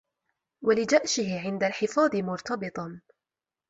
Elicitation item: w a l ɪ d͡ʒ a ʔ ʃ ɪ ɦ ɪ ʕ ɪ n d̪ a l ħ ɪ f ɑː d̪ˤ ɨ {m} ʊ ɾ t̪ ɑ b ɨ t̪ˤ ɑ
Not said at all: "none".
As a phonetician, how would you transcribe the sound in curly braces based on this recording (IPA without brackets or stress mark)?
m